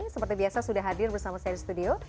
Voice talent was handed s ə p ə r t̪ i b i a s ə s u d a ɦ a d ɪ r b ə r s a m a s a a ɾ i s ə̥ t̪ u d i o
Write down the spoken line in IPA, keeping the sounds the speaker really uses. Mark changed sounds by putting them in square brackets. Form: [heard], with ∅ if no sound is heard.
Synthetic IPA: s ə p ə r t̪ i b i a s [a] s u d a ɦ a d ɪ r b ə r s a m a s a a ɾ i s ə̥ t̪ u d i o